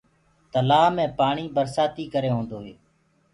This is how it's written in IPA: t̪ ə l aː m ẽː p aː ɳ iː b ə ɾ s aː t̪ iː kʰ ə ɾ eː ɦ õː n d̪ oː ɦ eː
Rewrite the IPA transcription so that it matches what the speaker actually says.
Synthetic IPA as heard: t̪ ə l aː m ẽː p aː ɳ iː b ə ɾ s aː t̪ iː k ə ɾ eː ɦ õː n d̪ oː ɦ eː